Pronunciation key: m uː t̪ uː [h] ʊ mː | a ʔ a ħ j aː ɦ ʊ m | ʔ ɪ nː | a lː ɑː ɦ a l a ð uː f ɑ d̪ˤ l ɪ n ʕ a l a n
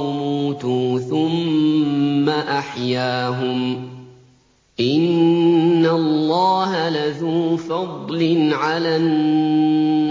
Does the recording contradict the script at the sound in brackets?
yes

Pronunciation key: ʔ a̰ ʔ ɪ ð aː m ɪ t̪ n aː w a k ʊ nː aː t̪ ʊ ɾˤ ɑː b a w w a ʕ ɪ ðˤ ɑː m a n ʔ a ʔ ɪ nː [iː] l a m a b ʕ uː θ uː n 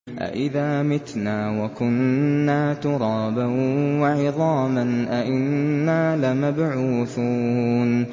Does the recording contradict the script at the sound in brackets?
yes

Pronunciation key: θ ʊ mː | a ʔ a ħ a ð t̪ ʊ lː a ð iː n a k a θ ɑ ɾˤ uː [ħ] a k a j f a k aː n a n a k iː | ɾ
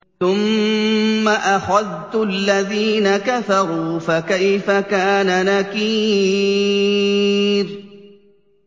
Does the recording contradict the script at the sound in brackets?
yes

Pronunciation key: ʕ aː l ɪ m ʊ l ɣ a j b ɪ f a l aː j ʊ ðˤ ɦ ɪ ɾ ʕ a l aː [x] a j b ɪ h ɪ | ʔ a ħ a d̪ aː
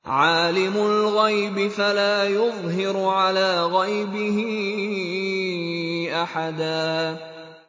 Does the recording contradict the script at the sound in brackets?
yes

